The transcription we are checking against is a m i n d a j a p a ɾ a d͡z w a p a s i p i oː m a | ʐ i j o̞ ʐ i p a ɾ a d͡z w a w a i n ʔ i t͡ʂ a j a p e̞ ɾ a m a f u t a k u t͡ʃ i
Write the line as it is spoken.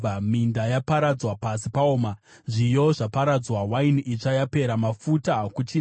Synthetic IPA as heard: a m i n d a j a p a ɾ a d͡z w a p a s i p a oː m a | ʐ i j o̞ ʐ a p a ɾ a d͡z w a w a i n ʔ i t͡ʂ a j a p e̞ ɾ a m a f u t a k u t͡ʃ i